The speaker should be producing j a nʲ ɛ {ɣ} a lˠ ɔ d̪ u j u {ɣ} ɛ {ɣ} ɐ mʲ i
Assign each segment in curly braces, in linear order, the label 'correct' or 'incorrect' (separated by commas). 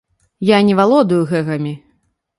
incorrect, correct, correct